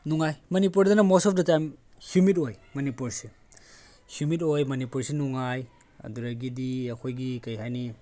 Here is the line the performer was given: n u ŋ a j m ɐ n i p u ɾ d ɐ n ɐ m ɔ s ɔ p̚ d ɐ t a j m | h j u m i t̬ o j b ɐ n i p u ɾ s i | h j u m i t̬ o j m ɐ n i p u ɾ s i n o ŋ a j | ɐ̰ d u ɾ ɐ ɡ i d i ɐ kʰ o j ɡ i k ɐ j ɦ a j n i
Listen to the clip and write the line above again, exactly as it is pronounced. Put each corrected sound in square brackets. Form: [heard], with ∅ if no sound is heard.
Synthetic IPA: n u ŋ a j m ɐ n i p u ɾ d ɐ n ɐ m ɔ s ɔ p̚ d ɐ t a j m | h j u m i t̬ o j [m] ɐ n i p u ɾ s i | h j u m i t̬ o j m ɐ n i p u ɾ s i n [u] ŋ a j | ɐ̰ d u ɾ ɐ ɡ i d i ɐ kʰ o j ɡ i k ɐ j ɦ a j n i